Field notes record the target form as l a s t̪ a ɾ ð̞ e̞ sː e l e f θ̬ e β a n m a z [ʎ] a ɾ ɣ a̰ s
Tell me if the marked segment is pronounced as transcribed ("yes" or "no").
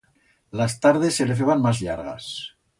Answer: yes